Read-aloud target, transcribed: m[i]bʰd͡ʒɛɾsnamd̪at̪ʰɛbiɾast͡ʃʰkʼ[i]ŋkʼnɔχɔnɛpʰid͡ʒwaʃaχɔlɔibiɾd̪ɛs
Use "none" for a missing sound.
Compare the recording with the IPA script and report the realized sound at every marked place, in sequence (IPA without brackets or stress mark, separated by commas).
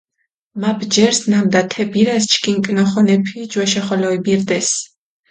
a, i